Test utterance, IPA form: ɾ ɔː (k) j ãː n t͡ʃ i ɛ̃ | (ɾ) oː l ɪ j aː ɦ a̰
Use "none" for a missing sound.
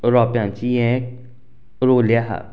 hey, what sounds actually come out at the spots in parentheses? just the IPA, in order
p, ɾ

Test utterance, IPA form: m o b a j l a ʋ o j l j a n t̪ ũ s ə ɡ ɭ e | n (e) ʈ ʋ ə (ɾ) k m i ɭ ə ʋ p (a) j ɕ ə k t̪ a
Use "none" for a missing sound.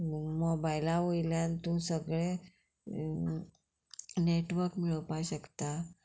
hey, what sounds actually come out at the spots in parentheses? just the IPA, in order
e, ɾ, a

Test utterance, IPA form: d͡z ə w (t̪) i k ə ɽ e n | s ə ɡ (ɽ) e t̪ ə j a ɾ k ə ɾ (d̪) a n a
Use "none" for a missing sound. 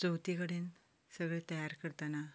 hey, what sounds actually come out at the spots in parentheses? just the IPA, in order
t̪, ɭ, t̪

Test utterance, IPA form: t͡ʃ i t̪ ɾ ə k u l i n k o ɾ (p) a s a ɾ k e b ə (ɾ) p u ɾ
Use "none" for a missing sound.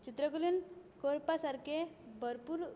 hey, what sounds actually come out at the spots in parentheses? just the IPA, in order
p, ɾ

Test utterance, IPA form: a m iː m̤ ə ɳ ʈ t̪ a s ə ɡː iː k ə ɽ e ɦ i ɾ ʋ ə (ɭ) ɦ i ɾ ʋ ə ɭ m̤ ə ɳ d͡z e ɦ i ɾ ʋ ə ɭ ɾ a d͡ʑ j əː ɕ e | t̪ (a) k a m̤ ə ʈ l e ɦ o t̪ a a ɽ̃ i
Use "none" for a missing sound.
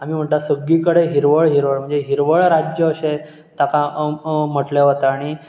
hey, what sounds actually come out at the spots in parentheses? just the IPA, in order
ɭ, a

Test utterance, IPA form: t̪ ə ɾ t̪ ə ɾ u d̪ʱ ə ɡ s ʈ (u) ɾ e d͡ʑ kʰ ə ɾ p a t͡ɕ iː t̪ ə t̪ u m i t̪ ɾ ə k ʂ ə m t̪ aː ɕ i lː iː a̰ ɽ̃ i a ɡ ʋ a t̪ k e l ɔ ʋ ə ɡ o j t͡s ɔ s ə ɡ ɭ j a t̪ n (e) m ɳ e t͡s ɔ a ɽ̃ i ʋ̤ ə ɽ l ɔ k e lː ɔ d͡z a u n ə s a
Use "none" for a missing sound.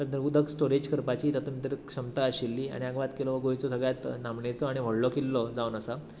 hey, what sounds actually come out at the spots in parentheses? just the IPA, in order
o, a

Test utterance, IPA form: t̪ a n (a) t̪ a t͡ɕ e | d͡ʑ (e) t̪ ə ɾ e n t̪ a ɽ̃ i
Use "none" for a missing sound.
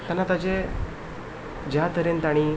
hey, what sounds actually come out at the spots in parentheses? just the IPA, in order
a, a

